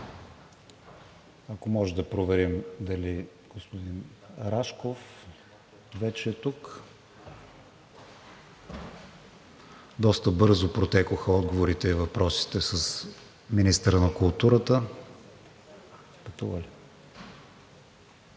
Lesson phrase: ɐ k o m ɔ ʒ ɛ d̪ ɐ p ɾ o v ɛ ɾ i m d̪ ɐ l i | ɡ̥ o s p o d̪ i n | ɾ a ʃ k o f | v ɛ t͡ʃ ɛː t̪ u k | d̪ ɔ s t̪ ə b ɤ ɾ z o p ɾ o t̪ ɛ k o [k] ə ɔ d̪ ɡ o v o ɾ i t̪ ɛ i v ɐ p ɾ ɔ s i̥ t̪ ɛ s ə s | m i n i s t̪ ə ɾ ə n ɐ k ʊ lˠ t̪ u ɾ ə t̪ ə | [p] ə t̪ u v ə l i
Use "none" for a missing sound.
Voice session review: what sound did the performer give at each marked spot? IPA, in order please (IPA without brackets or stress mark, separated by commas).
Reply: x, p